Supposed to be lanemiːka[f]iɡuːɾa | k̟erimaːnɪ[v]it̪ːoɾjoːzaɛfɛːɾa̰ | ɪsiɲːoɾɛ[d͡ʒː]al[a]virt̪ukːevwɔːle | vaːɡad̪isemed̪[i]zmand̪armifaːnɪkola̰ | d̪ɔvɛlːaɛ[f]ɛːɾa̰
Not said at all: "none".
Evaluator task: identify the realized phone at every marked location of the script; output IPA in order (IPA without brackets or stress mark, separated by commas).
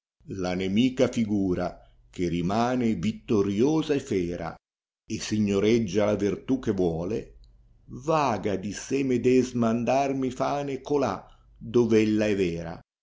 f, v, d͡ʒː, a, ɛ, v